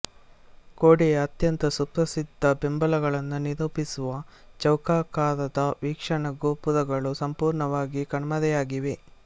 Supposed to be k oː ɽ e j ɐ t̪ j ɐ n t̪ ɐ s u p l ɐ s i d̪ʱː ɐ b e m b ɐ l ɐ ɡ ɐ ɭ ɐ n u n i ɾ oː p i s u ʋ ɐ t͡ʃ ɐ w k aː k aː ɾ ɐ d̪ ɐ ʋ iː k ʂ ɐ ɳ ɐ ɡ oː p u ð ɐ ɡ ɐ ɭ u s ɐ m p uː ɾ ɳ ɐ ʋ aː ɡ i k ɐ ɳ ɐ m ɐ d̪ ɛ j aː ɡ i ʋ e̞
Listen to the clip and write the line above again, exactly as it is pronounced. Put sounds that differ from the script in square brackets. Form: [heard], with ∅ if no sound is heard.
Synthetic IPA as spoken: k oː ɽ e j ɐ t̪ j ɐ n t̪ ɐ s u p [ɾ] ɐ s i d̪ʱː ɐ b e m b ɐ l ɐ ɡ ɐ ɭ ɐ [nː] u n i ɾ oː p i s u ʋ ɐ t͡ʃ ɐ w k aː k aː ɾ ɐ d̪ ɐ ʋ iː k ʂ ɐ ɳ ɐ ɡ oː p u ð ɐ ɡ ɐ ɭ u s ɐ m p uː ɾ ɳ ɐ ʋ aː ɡ i k ɐ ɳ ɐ m ɐ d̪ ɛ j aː ɡ i ʋ e̞